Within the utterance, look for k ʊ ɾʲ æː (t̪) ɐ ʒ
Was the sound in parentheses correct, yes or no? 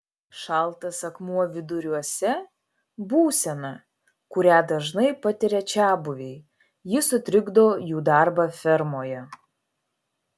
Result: no